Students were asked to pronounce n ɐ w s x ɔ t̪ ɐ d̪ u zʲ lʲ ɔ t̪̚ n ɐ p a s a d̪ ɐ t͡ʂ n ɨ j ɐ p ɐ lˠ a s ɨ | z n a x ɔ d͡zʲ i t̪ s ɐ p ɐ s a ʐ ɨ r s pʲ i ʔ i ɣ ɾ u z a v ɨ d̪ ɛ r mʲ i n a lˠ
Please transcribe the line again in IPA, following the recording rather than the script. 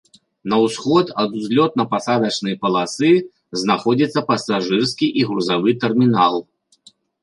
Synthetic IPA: n ɐ w s x ɔ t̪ ɐ d̪ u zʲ lʲ ɔ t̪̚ n ɐ p a s a d̪ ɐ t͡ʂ n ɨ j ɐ p ɐ lˠ a s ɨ | z n a x ɔ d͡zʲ i t̪ sː ɐ p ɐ s a ʐ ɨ r s kʲ i ʔ i ɣ ɾ u z a v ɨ t̪ ɛ r mʲ i n a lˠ